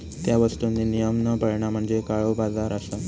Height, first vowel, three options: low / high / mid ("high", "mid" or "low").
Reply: low